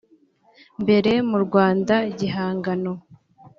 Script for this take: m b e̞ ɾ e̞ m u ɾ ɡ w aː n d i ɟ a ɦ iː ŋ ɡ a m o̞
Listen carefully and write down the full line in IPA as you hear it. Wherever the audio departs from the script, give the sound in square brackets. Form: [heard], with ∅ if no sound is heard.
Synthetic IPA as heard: m b e̞ ɾ e̞ m u ɾ ɡ w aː n d [a] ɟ [i] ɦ [aː] ŋ ɡ a [n] o̞